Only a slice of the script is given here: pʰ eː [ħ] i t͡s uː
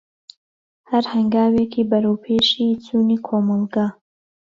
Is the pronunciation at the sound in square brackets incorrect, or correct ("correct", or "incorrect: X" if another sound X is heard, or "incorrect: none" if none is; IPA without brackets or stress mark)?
incorrect: ʃ